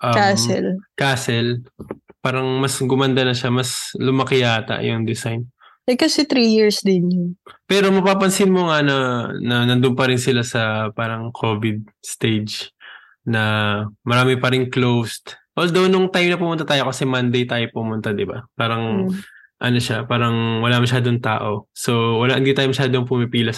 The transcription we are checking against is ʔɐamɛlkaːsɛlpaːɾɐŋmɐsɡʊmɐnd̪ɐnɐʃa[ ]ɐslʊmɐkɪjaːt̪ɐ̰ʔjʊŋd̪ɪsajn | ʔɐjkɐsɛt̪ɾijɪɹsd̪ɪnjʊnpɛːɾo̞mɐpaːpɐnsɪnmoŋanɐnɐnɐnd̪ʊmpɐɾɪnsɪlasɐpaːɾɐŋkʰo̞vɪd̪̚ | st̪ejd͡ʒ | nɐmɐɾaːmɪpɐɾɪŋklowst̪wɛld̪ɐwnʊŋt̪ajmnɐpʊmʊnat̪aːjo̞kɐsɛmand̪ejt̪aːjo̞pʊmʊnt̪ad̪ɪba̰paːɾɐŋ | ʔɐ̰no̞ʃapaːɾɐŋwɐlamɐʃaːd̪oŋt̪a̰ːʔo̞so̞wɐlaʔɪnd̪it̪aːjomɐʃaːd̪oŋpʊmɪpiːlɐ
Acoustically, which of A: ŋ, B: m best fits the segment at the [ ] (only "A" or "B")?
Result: B